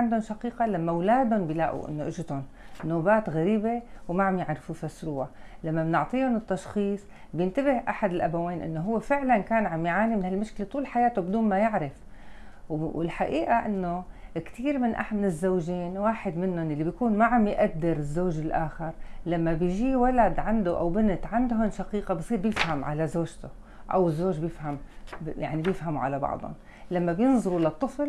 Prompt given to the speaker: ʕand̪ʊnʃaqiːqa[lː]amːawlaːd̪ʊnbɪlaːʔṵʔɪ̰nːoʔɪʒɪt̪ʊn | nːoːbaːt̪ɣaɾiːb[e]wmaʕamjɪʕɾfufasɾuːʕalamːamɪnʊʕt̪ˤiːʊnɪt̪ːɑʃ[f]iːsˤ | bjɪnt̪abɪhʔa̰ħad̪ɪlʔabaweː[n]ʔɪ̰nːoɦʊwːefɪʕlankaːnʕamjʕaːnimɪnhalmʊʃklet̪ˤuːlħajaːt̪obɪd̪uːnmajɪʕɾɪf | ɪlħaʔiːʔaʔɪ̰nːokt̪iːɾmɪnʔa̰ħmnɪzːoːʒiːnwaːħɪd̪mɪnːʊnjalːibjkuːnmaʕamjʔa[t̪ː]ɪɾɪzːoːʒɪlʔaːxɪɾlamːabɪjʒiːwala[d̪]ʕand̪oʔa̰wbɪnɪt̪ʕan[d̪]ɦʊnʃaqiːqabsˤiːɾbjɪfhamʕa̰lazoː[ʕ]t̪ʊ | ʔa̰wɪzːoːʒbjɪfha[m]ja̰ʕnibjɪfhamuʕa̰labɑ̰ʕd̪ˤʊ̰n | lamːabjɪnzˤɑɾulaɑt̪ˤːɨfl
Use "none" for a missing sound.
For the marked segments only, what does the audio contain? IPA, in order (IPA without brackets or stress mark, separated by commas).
l, e, x, n, d̪ː, d̪, d̪, ʒ, m